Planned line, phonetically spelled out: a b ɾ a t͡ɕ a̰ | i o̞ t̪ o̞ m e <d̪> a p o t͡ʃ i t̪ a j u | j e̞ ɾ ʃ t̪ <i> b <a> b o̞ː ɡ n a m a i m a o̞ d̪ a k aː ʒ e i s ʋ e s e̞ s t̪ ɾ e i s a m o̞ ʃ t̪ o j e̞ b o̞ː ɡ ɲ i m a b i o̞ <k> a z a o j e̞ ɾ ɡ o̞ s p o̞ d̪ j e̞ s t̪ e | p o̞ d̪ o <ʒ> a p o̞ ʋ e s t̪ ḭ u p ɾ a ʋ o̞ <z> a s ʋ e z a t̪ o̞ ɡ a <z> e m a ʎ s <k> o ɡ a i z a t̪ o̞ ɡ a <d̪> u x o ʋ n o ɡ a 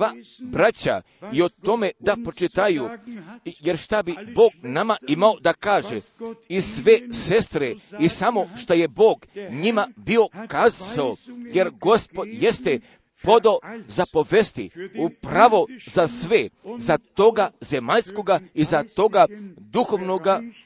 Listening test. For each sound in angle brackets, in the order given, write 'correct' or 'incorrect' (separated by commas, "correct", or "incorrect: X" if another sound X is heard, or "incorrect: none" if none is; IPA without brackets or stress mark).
correct, incorrect: a, incorrect: i, correct, incorrect: z, correct, correct, correct, correct